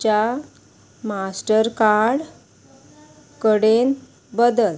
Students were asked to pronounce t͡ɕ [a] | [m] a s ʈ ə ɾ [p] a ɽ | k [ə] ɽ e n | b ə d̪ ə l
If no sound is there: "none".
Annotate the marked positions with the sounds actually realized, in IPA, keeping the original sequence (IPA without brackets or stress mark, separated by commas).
a, m, k, ə